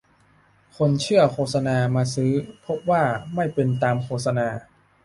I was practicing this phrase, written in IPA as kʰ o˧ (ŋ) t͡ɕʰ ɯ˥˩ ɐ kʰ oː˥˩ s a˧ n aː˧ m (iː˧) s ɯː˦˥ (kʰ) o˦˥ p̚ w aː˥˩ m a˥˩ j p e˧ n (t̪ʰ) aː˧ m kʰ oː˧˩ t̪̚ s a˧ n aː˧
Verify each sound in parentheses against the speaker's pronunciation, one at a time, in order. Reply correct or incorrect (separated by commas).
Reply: incorrect, incorrect, incorrect, incorrect